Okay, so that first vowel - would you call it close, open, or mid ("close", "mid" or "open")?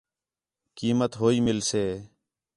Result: close